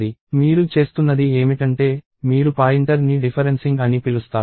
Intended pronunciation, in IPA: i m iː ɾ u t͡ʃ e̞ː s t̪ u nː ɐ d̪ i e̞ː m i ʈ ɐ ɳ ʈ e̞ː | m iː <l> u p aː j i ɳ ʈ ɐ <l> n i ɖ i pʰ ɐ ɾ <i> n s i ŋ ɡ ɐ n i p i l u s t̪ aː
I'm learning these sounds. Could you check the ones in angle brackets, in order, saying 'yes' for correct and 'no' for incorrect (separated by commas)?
no, no, no